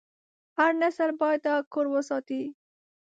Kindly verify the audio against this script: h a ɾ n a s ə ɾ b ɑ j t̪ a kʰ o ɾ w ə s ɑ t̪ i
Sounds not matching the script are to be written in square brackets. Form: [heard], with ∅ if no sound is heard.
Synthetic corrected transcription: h a ɾ n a s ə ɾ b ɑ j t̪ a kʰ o ɾ w ə s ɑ t̪ i